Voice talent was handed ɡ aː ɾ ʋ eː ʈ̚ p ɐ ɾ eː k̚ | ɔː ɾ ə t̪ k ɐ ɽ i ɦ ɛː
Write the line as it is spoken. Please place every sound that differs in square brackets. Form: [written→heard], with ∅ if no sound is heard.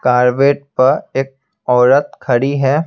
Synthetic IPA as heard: [ɡ→k] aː ɾ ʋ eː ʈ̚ p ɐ ɾ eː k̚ | ɔː ɾ ə t̪ [k→kʰ] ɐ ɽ i ɦ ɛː